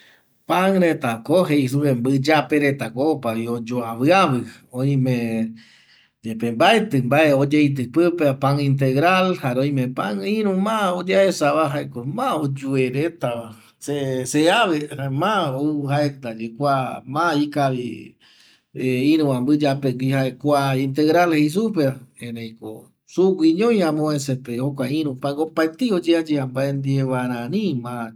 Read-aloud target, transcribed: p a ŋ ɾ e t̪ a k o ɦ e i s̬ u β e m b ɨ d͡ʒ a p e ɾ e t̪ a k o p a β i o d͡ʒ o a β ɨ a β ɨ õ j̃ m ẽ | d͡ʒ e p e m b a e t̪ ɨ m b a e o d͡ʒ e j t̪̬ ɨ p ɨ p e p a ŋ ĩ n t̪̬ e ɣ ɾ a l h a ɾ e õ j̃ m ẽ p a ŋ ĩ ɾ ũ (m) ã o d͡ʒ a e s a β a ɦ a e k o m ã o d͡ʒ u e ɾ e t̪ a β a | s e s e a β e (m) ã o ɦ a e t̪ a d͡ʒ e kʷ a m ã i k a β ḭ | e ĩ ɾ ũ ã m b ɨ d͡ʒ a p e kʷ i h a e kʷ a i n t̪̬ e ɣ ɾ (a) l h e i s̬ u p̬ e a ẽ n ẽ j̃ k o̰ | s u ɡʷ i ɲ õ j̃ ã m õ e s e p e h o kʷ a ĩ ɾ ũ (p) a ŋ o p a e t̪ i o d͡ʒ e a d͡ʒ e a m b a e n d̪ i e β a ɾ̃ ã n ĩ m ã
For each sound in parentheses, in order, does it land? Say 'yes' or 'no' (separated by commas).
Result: yes, yes, yes, yes